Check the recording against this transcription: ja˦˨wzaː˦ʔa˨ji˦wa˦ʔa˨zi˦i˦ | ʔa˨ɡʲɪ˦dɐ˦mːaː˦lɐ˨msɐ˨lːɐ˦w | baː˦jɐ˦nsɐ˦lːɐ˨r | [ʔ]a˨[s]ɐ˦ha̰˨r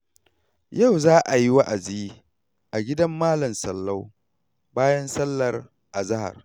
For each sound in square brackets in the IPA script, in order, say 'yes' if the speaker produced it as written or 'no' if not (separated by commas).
yes, no